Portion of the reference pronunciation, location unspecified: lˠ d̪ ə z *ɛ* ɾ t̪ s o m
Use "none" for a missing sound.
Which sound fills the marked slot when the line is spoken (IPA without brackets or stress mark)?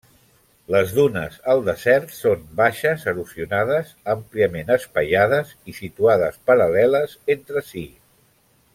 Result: ɛ